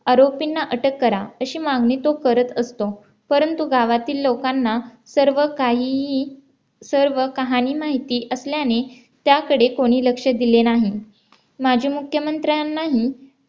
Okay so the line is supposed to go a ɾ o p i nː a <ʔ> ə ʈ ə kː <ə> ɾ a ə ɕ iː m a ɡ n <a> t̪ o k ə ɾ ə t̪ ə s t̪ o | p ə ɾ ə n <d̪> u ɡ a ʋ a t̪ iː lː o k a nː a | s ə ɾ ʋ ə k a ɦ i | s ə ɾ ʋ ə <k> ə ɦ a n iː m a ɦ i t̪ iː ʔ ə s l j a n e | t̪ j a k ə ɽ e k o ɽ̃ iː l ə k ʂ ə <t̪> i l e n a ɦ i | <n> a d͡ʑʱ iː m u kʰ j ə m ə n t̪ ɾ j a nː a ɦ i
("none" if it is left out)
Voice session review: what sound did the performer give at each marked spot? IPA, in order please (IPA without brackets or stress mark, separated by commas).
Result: ʔ, ə, i, t̪, k, d̪, m